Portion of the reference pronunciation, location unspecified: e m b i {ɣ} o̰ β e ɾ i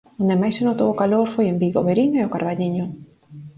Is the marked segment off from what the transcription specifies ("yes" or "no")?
no